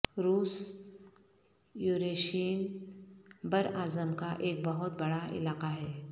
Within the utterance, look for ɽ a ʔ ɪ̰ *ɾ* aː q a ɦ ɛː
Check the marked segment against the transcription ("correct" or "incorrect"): incorrect